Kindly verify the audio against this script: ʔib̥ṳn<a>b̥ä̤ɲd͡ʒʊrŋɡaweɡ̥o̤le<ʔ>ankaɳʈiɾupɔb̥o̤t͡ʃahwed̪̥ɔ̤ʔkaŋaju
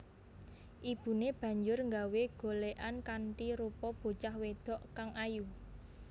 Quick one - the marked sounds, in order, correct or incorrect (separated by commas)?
incorrect, correct